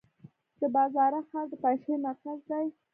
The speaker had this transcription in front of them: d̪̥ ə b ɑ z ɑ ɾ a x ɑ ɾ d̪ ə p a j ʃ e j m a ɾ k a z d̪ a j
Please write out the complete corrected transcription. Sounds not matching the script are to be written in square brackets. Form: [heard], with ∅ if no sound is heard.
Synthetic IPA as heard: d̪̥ ə b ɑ z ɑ ɾ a x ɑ ɾ d̪ ə p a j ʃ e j m a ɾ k a z d̪ a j